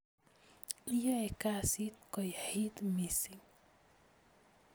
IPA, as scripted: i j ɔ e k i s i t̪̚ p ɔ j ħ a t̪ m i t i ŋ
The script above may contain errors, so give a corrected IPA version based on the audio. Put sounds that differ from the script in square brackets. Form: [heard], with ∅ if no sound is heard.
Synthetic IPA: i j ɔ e k [a] s i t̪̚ [k] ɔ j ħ [i] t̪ m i [s] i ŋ